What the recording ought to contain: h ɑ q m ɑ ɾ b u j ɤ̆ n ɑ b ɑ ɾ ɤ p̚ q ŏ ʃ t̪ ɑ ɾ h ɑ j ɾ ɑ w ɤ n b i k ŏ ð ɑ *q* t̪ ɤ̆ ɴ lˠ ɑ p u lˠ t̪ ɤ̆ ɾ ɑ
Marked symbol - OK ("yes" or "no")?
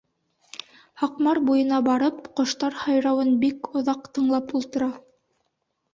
yes